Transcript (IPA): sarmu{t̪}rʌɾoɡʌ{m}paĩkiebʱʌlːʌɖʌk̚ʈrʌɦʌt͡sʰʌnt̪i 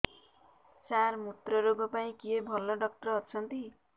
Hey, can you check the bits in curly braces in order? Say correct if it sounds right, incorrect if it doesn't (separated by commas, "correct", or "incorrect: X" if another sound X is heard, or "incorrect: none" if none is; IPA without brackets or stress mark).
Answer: correct, incorrect: none